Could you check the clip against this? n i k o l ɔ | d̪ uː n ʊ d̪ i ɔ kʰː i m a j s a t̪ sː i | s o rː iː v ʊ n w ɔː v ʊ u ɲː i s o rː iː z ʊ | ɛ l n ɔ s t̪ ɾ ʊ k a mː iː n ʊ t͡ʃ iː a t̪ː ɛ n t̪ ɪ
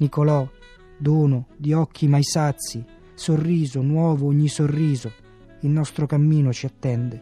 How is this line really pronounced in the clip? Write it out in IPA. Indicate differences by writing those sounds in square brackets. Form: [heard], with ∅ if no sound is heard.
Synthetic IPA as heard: n i k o l ɔ | d̪ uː n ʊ d̪ i ɔ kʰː i m a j s a t̪ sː i | s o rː iː [z] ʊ n w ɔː v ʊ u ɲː i s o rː iː z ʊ | [i] l n ɔ s t̪ ɾ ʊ k a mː iː n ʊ t͡ʃ [i] a t̪ː ɛ n [d̪] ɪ